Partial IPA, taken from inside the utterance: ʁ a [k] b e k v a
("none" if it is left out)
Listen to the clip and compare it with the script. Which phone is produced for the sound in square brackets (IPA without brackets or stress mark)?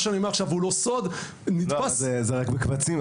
k